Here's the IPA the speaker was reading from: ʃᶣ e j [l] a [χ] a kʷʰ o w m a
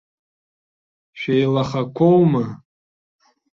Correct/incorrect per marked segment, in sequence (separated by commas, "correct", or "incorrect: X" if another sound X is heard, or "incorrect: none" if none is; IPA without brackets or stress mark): correct, correct